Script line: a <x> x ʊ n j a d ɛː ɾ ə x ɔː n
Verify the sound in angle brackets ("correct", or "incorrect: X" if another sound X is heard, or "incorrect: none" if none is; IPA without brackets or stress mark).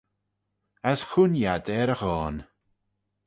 incorrect: s